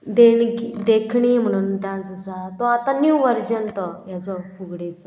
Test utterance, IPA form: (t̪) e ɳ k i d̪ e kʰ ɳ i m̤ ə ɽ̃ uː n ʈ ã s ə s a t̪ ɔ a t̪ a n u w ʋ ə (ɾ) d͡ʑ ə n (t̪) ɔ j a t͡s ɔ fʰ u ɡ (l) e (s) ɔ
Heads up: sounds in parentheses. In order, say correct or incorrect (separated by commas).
incorrect, correct, correct, incorrect, incorrect